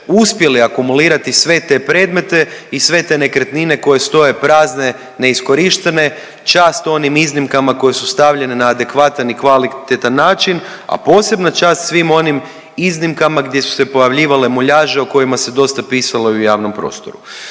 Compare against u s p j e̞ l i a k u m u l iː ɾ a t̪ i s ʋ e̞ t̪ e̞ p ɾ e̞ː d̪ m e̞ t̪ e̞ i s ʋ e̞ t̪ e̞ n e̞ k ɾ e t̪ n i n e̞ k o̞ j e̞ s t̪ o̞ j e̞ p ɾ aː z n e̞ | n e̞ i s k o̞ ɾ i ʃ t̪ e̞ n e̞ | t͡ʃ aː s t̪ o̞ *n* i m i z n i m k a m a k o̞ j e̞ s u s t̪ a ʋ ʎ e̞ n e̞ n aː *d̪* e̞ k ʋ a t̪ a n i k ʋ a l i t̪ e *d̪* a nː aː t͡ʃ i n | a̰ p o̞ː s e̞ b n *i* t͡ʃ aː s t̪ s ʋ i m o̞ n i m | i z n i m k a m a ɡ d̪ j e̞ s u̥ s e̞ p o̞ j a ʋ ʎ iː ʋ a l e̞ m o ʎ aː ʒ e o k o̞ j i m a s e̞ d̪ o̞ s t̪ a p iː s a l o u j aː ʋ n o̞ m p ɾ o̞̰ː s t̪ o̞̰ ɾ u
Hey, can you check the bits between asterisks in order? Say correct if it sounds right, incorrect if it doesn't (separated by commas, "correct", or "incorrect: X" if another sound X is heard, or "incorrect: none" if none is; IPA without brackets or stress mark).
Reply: correct, correct, incorrect: t̪, incorrect: a